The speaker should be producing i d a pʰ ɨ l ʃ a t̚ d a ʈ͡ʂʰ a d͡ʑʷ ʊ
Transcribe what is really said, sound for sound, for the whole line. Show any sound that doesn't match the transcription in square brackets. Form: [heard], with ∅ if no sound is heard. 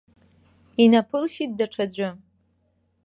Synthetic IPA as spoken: i [n] a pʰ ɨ l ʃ [i] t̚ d a ʈ͡ʂʰ a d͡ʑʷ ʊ